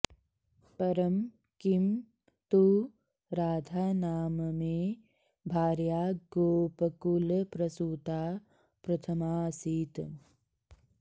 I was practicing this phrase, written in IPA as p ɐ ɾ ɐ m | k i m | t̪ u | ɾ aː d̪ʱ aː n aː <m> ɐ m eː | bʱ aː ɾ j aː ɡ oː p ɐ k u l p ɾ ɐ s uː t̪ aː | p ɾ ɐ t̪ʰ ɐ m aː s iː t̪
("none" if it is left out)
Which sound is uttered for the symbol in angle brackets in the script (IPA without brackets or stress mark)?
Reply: m